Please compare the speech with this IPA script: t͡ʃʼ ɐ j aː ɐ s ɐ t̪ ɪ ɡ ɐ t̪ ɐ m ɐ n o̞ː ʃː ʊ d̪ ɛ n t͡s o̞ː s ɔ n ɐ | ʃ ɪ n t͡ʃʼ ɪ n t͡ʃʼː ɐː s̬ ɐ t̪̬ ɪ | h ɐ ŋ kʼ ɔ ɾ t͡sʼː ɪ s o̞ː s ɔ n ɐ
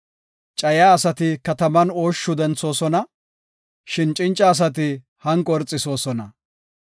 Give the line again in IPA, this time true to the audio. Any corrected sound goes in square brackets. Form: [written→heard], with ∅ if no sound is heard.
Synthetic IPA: t͡ʃʼ ɐ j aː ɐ s ɐ t̪ ɪ [ɡ→k] ɐ t̪ ɐ m ɐ n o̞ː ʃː ʊ d̪ ɛ n t͡s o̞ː s ɔ n ɐ | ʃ ɪ n t͡ʃʼ ɪ n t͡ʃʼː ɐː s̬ ɐ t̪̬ ɪ | h ɐ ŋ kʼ ɔ ɾ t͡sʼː ɪ s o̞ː s ɔ n ɐ

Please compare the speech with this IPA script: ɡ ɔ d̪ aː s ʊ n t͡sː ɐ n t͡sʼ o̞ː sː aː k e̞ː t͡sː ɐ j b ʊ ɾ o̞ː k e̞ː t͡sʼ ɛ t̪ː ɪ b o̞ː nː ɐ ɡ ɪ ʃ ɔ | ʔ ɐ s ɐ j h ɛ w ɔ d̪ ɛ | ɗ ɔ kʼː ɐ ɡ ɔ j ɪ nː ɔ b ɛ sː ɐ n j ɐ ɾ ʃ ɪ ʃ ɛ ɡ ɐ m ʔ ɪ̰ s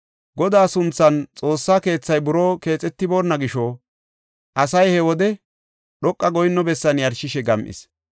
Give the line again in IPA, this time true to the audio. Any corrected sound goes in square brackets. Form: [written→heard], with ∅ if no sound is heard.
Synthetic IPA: ɡ ɔ d̪ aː s ʊ n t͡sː ɐ n t͡sʼ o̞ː sː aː k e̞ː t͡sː ɐ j b ʊ ɾ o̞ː k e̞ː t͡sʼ ɛ t̪ː ɪ b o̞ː nː ɐ ɡ ɪ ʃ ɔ | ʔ ɐ s ɐ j h ɛ w ɔ d̪ ɛ | ɗ ɔ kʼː ɐ ɡ ɔ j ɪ nː ɔ b ɛ sː ɐ n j ɐ ɾ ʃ ɪ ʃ ɛ ɡ ɐ m ʔ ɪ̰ s

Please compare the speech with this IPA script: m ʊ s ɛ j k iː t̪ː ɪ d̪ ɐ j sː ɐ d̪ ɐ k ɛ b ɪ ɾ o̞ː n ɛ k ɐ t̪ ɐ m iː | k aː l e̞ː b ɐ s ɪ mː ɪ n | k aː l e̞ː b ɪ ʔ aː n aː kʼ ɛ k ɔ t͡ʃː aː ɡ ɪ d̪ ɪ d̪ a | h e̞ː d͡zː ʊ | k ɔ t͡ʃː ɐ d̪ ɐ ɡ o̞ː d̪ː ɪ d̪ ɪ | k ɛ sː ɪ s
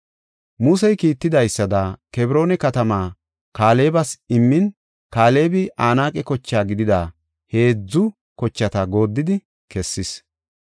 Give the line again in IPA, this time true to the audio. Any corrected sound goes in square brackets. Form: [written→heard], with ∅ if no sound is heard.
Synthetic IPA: m ʊ s ɛ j k iː t̪ː ɪ d̪ ɐ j sː ɐ d̪ ɐ k ɛ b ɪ ɾ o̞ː n ɛ k ɐ t̪ ɐ m [iː→aː] | k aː l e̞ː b ɐ s ɪ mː ɪ n | k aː l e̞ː b ɪ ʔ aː n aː kʼ ɛ k ɔ t͡ʃː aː ɡ ɪ d̪ ɪ d̪ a | h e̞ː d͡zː ʊ | k ɔ t͡ʃː ɐ [d̪→t̪] ɐ ɡ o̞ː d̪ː ɪ d̪ ɪ | k ɛ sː ɪ s

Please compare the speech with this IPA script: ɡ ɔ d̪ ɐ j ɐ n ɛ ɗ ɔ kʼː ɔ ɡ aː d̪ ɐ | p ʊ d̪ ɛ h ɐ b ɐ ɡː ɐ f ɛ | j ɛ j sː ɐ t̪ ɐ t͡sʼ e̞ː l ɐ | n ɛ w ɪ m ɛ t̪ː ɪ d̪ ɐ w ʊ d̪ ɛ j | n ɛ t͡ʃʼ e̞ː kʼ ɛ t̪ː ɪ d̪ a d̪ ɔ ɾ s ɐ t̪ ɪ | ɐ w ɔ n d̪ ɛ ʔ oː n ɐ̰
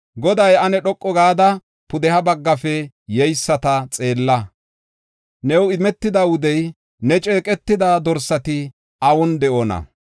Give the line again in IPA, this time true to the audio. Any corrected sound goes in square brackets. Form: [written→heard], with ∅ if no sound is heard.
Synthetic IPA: ɡ ɔ d̪ ɐ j ɐ n ɛ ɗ ɔ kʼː ɔ ɡ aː d̪ ɐ | p ʊ d̪ ɛ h ɐ b ɐ ɡː ɐ f ɛ | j ɛ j sː ɐ t̪ ɐ t͡sʼ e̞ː [l→lː] ɐ | n ɛ w ɪ m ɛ t̪ː ɪ d̪ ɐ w ʊ d̪ ɛ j | n ɛ t͡ʃʼ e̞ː kʼ ɛ t̪ː ɪ d̪ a d̪ ɔ ɾ s ɐ t̪ ɪ | ɐ w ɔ n d̪ ɛ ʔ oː n ɐ̰

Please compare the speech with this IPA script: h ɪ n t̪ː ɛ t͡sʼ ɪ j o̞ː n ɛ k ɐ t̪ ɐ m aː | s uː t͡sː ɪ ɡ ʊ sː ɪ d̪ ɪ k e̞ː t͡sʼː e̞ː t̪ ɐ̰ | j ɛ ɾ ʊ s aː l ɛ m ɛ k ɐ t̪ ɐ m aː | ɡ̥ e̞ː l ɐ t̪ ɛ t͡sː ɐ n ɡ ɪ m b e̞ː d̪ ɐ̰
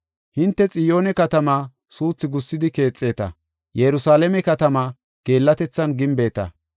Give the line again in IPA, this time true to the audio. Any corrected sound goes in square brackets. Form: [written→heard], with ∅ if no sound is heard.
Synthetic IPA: h ɪ n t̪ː ɛ t͡sʼ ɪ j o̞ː n ɛ k ɐ t̪ ɐ m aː | s uː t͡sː ɪ ɡ ʊ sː ɪ d̪ ɪ k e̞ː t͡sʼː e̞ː t̪ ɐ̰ | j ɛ ɾ ʊ s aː l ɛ m ɛ k ɐ t̪ ɐ m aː | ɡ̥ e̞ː [l→lː] ɐ t̪ ɛ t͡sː ɐ n ɡ ɪ m b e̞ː [d̪→t̪] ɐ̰

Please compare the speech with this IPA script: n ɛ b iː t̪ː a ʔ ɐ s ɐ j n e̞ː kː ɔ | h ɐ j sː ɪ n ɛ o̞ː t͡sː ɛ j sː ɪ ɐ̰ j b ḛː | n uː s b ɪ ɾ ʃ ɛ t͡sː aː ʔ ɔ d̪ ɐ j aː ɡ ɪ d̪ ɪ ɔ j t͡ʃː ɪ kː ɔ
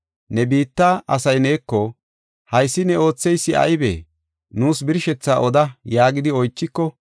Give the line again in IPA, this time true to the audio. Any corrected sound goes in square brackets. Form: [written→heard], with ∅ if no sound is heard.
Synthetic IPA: n ɛ b iː t̪ː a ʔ ɐ s ɐ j n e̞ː kː ɔ | h ɐ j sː ɪ n ɛ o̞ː t͡sː ɛ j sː ɪ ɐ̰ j b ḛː | n uː s b ɪ ɾ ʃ ɛ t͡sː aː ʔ ɔ d̪ ɐ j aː ɡ ɪ d̪ ɪ ɔ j t͡ʃː ɪ kː ɔ

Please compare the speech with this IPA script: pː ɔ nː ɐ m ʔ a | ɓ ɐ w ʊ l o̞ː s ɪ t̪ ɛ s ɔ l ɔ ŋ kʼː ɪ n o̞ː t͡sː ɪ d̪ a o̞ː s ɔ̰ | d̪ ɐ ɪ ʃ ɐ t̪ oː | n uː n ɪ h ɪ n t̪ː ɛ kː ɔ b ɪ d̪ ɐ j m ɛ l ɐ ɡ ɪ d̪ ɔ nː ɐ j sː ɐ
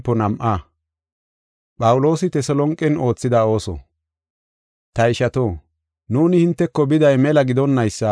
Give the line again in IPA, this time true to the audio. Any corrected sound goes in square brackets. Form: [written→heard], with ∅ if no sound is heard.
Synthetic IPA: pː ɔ [nː→n] ɐ m ʔ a | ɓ ɐ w ʊ l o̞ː s ɪ t̪ ɛ s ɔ l ɔ ŋ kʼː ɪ n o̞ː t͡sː ɪ d̪ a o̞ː s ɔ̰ | [d̪→t̪] ɐ ɪ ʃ ɐ t̪ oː | n uː n ɪ h ɪ n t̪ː ɛ kː ɔ b ɪ d̪ ɐ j m ɛ l ɐ ɡ ɪ d̪ ɔ nː ɐ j sː ɐ

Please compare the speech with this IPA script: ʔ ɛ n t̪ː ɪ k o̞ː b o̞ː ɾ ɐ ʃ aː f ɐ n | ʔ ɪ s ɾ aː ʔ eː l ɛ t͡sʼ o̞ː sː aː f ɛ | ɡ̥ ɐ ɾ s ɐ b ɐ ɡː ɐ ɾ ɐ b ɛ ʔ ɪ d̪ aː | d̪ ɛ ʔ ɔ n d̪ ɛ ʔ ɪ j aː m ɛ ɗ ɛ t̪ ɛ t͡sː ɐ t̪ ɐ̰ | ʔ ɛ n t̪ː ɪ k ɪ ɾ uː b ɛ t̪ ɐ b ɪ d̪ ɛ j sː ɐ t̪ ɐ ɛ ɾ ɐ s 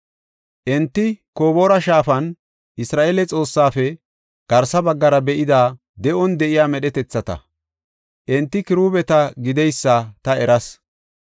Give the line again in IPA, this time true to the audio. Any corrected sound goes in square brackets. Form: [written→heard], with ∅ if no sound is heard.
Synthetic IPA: ʔ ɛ n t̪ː ɪ k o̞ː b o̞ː ɾ ɐ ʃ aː f ɐ n | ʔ ɪ s ɾ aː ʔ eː l ɛ t͡sʼ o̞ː sː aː f ɛ | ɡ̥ ɐ ɾ s ɐ b ɐ ɡː ɐ ɾ ɐ b ɛ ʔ ɪ d̪ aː | d̪ ɛ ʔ ɔ n d̪ ɛ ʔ ɪ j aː m ɛ ɗ ɛ t̪ ɛ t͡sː ɐ t̪ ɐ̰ | ʔ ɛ n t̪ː ɪ k ɪ ɾ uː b ɛ t̪ ɐ [b→ɡ] ɪ d̪ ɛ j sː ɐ t̪ ɐ ɛ ɾ ɐ s

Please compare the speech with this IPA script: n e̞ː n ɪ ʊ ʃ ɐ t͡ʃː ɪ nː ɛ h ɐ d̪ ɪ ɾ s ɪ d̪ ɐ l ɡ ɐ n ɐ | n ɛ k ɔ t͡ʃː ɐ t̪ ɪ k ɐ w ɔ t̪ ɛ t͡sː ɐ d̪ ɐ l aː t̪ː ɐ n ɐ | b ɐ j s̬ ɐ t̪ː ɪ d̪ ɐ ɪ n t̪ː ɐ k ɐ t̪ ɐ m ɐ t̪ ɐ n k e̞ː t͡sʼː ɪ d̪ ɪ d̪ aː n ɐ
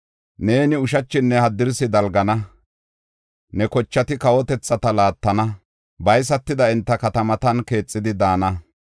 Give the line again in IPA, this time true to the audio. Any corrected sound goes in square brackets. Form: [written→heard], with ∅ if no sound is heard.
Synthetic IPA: n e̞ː n ɪ ʊ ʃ ɐ t͡ʃː ɪ nː ɛ h ɐ d̪ ɪ ɾ s ɪ d̪ ɐ l ɡ ɐ n ɐ | n ɛ k ɔ t͡ʃː ɐ t̪ ɪ k ɐ w ɔ t̪ ɛ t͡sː ɐ [d̪→t̪] ɐ l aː t̪ː ɐ n ɐ | b ɐ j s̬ ɐ t̪ː ɪ d̪ ɐ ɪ n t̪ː ɐ k ɐ t̪ ɐ m ɐ t̪ ɐ n k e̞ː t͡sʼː ɪ d̪ ɪ d̪ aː n ɐ

